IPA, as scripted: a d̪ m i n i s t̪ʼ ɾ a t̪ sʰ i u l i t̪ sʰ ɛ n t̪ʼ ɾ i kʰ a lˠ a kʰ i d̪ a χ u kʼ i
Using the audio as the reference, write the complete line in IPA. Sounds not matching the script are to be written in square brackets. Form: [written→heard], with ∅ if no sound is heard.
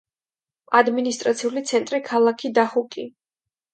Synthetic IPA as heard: a d̪ m i n i s t̪ʼ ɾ a t̪ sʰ i u l i t̪ sʰ ɛ n t̪ʼ ɾ i kʰ a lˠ a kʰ i d̪ a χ u kʼ i